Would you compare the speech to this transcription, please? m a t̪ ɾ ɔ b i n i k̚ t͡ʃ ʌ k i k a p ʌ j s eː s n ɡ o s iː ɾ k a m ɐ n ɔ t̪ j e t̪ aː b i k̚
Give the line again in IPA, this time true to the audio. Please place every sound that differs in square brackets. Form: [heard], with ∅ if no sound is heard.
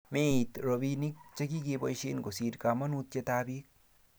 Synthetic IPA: m [e] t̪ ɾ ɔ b i n i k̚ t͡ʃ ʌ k i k [e] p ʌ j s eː [∅] n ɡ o s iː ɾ k a m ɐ n [u] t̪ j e t̪ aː b i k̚